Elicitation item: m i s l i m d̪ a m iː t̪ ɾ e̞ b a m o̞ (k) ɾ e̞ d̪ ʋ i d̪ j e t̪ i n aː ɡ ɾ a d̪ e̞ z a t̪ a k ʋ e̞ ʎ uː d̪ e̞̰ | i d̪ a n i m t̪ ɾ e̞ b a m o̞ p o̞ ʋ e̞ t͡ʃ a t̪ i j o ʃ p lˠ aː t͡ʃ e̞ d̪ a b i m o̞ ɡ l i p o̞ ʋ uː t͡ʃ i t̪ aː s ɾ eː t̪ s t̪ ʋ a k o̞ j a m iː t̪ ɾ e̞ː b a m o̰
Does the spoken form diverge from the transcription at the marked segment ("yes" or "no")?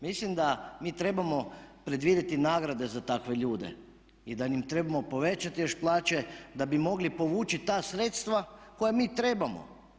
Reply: yes